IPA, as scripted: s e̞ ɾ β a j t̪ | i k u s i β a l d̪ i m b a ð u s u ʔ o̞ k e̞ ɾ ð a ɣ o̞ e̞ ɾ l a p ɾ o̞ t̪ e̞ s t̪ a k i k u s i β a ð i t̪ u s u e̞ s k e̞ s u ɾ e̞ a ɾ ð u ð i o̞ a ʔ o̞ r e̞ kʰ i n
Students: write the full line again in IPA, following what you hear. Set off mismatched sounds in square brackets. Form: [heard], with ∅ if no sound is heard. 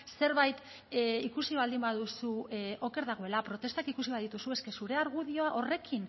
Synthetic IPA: s e̞ ɾ β a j t̪ | i k u s i β a l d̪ i m b a ð u s u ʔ o̞ k e̞ ɾ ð a ɣ o̞ e̞ [∅] l a p ɾ o̞ t̪ e̞ s t̪ a k i k u s i β a ð i t̪ u s u e̞ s k e̞ s u ɾ e̞ a ɾ [ɣ] u ð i o̞ a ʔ o̞ r e̞ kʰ i n